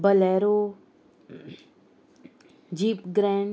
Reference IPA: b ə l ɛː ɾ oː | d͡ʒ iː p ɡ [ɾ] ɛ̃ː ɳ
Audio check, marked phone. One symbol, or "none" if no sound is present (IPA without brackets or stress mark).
ɾ